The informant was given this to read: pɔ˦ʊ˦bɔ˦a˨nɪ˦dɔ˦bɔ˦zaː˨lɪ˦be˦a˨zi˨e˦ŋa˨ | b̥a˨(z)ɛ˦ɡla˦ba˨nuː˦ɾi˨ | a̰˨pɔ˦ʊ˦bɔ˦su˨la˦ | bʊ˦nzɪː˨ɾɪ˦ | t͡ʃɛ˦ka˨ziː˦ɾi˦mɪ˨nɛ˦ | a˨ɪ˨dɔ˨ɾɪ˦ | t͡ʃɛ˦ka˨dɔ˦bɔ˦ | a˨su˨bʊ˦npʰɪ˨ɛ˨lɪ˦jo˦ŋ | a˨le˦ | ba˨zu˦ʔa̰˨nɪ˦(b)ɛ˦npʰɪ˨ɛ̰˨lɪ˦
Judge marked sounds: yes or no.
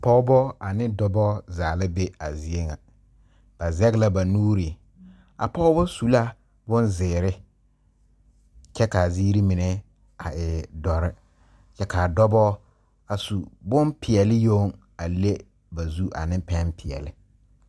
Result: yes, no

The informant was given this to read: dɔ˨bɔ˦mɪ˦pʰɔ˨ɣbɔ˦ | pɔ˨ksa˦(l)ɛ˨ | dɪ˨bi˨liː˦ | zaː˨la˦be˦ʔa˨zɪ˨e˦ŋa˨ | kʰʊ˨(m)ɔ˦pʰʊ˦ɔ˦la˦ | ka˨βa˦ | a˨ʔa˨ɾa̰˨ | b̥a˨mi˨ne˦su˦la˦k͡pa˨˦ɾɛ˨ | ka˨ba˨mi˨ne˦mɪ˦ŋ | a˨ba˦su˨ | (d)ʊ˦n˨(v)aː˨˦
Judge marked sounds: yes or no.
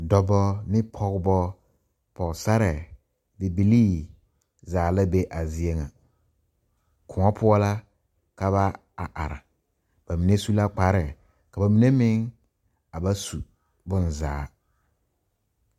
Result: no, no, no, no

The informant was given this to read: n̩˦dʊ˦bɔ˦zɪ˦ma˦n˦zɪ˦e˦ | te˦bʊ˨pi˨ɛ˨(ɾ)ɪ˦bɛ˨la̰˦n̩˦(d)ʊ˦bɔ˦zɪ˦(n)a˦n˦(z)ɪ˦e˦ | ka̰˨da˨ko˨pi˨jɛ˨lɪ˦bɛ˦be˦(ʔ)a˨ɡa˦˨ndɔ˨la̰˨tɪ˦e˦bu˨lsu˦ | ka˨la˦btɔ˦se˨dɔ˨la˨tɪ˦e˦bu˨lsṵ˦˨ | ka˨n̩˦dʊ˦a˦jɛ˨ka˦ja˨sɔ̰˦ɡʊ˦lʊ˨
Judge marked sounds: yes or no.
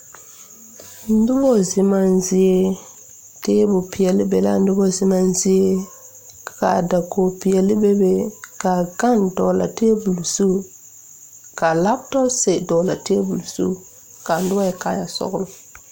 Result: no, yes, no, yes, no

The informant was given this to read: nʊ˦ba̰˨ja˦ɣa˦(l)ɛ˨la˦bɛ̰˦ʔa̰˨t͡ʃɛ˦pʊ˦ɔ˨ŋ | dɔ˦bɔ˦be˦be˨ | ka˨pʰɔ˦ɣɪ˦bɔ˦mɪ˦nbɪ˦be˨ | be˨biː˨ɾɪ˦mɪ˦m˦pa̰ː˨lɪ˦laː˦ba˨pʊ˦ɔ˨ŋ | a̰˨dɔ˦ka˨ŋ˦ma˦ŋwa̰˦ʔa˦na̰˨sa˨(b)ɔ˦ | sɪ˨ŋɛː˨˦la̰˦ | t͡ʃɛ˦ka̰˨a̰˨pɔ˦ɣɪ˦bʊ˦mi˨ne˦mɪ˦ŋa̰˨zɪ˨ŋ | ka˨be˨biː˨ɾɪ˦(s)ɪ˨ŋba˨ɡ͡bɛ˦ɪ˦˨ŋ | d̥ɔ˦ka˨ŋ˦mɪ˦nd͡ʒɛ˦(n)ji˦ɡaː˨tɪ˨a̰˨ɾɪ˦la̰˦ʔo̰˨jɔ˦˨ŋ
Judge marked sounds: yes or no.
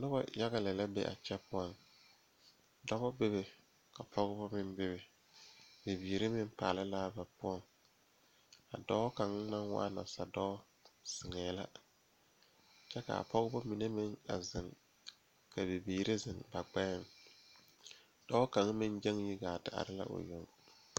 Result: yes, no, no, no

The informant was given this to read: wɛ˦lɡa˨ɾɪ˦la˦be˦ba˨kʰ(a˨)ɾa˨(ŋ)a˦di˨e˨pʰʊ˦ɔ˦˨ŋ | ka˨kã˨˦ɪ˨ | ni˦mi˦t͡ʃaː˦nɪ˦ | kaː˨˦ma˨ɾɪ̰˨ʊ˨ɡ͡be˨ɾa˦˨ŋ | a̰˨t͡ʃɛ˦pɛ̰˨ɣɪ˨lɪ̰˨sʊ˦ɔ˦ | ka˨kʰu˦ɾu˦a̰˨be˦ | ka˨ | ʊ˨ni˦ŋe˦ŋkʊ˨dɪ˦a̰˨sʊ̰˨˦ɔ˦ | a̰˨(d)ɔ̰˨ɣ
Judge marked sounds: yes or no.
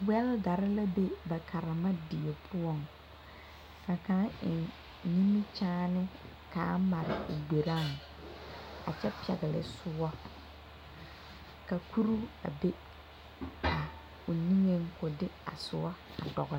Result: yes, no, yes

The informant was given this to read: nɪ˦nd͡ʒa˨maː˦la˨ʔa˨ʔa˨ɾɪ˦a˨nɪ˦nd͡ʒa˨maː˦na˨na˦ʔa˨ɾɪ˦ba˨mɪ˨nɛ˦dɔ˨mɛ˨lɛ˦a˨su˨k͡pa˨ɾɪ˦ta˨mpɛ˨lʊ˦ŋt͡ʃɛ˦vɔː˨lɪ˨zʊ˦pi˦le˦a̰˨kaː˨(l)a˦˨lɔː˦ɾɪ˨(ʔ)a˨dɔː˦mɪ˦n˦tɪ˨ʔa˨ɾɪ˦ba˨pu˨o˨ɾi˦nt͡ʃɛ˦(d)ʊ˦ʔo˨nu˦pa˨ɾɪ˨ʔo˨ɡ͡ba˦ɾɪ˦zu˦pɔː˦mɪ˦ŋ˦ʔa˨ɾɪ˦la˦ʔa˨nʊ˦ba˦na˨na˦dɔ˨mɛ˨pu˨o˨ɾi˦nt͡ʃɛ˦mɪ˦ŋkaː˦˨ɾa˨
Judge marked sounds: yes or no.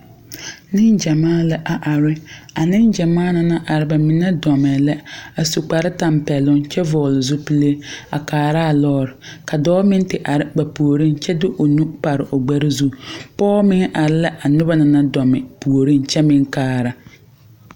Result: no, no, yes

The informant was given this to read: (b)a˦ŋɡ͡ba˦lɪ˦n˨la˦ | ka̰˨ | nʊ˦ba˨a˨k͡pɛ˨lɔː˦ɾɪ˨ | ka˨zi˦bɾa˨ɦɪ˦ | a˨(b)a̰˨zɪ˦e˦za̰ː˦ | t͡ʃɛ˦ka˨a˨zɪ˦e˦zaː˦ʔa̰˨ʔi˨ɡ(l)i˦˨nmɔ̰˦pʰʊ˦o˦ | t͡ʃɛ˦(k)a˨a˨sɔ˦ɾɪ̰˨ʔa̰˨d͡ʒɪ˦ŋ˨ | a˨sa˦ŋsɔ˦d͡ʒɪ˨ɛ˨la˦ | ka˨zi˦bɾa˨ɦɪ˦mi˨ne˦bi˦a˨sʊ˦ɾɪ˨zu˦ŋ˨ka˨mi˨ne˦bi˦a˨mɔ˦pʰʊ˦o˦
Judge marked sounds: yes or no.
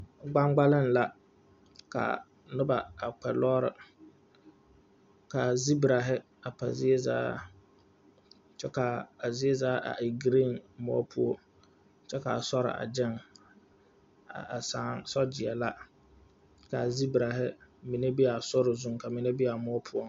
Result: no, no, no, yes

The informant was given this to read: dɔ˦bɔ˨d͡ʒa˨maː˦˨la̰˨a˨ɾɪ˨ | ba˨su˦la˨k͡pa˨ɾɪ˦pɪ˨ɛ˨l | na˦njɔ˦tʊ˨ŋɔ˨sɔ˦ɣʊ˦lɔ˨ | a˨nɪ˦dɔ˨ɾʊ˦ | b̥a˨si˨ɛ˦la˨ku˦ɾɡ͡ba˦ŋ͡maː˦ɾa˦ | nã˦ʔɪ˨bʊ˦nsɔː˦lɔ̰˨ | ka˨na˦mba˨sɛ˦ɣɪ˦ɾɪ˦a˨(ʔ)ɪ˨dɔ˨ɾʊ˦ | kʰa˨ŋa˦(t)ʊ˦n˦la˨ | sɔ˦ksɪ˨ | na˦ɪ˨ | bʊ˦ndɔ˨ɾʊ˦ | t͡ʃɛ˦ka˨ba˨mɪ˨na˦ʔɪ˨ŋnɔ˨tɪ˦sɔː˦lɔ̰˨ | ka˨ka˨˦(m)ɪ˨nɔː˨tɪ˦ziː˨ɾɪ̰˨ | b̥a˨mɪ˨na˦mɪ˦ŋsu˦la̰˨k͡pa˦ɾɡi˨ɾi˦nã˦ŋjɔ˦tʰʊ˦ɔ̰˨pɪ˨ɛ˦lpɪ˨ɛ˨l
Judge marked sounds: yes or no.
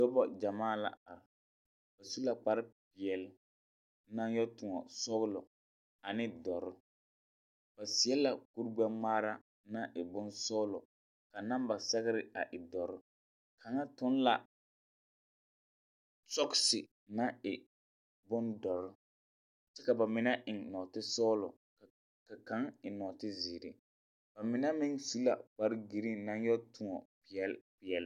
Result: yes, yes, no

